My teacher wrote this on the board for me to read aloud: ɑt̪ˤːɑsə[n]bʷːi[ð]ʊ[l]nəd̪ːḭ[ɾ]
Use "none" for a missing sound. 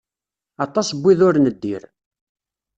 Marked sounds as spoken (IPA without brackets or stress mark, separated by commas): none, ð, ɾ, ɾ